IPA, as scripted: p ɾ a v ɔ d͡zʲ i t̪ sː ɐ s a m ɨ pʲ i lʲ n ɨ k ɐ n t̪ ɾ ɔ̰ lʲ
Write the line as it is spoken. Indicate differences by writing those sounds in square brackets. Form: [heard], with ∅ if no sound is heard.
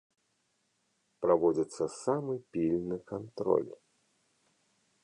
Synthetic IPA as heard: p ɾ a v ɔ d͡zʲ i t̪ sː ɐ s a m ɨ pʲ i lʲ n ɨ k [a] n t̪ ɾ ɔ̰ lʲ